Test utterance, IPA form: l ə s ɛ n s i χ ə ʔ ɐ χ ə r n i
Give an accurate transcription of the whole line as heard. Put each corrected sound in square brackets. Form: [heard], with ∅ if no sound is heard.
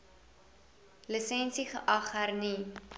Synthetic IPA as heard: l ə s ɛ n s i χ ə ʔ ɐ χ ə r n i